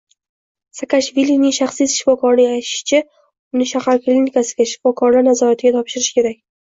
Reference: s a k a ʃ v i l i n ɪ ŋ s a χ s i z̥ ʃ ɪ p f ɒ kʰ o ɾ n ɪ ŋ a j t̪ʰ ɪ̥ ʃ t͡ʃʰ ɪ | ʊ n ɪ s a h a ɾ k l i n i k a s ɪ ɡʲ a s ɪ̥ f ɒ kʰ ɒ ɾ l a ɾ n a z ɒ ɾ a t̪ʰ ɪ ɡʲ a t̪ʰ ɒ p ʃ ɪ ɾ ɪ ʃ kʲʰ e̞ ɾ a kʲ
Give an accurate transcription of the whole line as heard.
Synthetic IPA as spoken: s a k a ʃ v i l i n ɪ ŋ ʃ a χ s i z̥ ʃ ɪ f ɒ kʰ ɒ ɾ n ɪ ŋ a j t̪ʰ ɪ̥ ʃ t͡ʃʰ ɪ | ʊ n ɪ ʃ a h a ɾ k l i n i k a s ɪ ɡʲ a ʃ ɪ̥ f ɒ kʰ ɒ ɾ l a ɾ n a z ɒ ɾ a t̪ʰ ɪ ɡʲ a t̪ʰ ɒ p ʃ ɪ ɾ ɪ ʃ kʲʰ e̞ ɾ a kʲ